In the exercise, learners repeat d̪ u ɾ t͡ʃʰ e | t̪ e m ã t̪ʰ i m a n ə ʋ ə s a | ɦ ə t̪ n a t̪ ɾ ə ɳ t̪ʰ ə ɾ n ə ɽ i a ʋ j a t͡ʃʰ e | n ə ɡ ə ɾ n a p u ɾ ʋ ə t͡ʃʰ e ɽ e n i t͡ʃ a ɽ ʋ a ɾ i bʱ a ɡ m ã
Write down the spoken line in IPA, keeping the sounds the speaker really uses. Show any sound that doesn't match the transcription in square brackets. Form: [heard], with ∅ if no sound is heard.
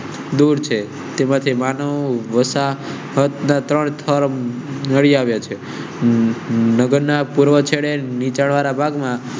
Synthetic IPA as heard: d̪ u ɾ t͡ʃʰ e | t̪ e m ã t̪ʰ i m a n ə ʋ ə s a | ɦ ə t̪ n a t̪ ɾ ə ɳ t̪ʰ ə ɾ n ə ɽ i a ʋ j a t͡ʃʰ e | n ə ɡ ə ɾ n a p u ɾ ʋ ə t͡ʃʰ e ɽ e n i t͡ʃ a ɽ ʋ a ɾ [a] bʱ a ɡ m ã